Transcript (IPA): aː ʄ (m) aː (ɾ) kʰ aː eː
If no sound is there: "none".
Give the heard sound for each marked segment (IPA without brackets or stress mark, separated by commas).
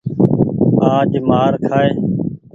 m, ɾ